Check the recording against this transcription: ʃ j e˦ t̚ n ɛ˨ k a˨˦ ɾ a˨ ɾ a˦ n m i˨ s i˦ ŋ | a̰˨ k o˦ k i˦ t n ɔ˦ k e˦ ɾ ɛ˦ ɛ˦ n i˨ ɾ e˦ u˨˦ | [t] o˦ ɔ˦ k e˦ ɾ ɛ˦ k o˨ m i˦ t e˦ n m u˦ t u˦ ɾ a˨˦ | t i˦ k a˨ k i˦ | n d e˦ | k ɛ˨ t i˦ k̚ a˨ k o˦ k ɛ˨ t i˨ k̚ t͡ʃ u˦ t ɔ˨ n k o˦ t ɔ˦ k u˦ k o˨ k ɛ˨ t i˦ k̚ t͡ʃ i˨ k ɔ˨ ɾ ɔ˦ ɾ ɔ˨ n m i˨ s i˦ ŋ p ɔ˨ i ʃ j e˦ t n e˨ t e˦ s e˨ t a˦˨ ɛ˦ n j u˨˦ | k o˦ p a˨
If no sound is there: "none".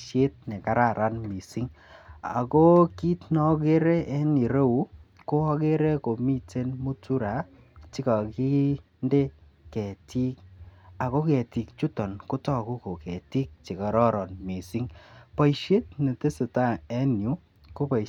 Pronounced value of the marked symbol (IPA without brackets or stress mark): k